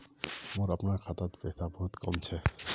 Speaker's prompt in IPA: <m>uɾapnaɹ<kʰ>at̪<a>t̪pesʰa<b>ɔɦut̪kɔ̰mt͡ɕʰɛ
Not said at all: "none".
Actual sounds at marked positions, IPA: m, kʰ, a, b

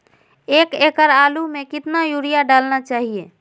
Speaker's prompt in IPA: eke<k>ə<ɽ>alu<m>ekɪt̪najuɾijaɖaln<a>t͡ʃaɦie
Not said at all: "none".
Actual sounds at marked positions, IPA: k, ɾ, m, a

